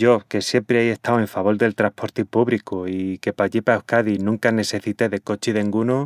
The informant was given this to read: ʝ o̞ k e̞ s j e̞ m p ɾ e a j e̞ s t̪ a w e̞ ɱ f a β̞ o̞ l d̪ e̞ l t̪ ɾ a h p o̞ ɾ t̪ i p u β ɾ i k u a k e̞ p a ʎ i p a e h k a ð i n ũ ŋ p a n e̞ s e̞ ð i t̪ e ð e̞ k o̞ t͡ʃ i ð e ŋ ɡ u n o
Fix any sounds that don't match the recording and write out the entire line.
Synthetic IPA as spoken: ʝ o̞ k e̞ s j e̞ m p ɾ e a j e̞ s t̪ a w e̞ ɱ f a β̞ o̞ l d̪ e̞ l t̪ ɾ a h p o̞ ɾ t̪ i p u β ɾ i k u i k e̞ p a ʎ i p a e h k a ð i n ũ ŋ k a n e̞ s e̞ θ i t̪ e ð e̞ k o̞ t͡ʃ i ð e ŋ ɡ u n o

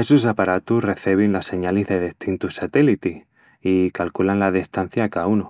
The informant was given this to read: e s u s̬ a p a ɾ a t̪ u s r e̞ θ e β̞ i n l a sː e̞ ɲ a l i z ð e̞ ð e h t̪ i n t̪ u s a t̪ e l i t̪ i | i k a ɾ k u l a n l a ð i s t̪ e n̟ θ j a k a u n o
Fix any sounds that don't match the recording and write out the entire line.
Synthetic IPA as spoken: e s u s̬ a p a ɾ a t̪ u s r e̞ θ e β̞ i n l a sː e̞ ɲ a l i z ð e̞ ð e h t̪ i n t̪ u s a t̪ e l i t̪ i | i k a l k u l a n l a ð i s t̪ a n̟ θ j a k a u n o

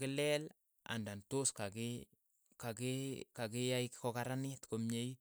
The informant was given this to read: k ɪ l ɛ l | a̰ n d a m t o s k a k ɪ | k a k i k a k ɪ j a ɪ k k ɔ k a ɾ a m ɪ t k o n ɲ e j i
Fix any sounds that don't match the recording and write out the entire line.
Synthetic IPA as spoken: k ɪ l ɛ l | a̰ n d a n t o s k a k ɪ | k a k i k a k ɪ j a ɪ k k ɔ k a ɾ a n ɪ t k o m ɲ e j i

